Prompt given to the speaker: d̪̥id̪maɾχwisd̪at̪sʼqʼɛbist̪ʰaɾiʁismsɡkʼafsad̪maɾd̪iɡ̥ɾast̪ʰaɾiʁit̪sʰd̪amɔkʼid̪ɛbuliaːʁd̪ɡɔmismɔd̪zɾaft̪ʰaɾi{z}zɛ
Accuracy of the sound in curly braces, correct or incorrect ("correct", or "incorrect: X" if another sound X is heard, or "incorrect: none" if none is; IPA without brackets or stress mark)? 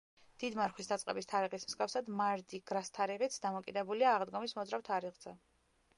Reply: incorrect: ʁ